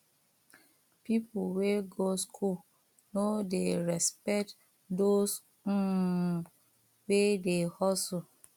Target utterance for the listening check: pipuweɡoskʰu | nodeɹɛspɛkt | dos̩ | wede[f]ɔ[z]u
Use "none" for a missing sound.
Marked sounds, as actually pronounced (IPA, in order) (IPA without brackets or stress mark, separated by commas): h, s